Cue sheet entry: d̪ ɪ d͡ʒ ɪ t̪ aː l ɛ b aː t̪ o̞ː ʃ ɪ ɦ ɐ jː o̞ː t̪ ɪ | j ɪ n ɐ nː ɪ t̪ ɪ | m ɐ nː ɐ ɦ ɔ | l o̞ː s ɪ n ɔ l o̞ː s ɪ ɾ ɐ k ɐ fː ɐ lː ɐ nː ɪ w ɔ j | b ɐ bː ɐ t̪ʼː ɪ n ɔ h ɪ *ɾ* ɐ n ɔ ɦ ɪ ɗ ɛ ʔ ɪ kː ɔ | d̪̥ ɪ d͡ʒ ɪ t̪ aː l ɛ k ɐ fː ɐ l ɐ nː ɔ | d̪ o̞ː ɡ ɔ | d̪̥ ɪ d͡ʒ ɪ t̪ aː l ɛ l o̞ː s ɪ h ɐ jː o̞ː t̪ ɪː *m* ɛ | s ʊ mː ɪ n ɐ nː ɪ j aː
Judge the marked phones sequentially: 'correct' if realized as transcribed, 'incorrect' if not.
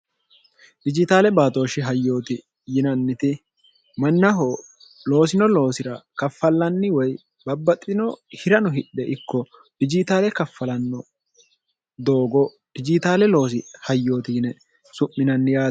correct, incorrect

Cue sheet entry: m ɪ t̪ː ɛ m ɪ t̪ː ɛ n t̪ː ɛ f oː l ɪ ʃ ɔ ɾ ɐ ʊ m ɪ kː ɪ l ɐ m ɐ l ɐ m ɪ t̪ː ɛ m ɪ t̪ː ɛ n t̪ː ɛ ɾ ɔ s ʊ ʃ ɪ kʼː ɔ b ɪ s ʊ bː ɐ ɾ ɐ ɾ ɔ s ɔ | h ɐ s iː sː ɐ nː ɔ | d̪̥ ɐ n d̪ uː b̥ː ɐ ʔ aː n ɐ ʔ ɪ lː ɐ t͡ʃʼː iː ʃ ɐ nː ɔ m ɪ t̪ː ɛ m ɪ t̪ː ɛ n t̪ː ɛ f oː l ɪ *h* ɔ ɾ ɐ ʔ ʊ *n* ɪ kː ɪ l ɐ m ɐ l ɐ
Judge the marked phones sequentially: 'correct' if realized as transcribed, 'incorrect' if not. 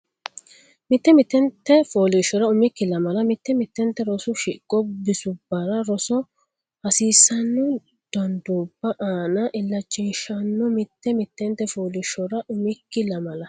incorrect, incorrect

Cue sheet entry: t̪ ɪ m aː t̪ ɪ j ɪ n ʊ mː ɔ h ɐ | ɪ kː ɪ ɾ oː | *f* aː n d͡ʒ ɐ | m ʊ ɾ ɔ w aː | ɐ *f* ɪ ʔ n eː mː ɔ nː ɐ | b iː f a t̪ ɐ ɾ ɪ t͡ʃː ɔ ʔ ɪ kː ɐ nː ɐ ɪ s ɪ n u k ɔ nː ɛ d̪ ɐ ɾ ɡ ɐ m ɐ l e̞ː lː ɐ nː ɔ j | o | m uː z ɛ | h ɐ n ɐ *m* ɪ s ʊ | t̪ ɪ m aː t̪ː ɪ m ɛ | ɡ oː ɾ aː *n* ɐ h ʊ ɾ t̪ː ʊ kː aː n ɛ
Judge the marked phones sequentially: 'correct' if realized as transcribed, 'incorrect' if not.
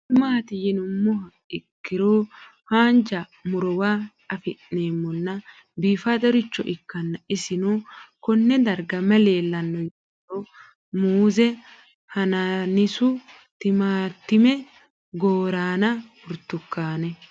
incorrect, correct, incorrect, correct

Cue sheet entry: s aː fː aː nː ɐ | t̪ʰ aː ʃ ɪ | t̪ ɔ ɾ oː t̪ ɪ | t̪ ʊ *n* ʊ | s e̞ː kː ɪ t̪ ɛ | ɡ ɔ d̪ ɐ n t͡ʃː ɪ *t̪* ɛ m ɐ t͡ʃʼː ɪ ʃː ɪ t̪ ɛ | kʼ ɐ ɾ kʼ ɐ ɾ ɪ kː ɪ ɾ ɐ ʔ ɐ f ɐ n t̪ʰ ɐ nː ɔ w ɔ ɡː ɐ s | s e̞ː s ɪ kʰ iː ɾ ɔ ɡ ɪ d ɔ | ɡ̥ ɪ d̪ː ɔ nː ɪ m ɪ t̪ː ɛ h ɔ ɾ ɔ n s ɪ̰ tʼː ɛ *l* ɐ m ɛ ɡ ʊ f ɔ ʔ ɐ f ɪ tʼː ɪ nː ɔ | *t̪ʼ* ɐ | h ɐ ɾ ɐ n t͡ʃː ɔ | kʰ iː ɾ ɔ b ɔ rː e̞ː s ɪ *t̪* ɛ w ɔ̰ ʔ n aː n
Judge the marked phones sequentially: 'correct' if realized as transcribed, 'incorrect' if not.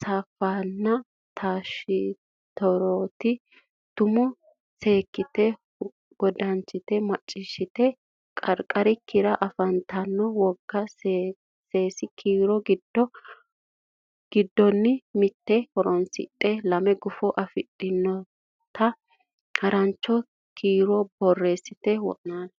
incorrect, correct, correct, incorrect, correct

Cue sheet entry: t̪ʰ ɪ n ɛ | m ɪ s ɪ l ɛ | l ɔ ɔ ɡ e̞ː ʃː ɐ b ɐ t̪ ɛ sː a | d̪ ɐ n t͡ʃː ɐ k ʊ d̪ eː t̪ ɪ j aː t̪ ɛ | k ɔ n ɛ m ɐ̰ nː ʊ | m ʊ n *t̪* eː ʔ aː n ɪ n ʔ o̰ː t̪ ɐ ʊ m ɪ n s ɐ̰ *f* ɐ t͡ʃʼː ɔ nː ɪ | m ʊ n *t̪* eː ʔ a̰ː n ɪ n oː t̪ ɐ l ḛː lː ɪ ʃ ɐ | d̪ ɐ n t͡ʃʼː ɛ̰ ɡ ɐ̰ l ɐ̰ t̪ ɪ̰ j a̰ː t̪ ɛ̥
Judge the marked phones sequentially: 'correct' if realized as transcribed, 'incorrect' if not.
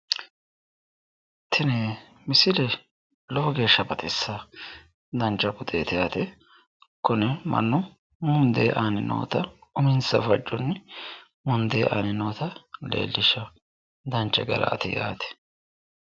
incorrect, correct, incorrect

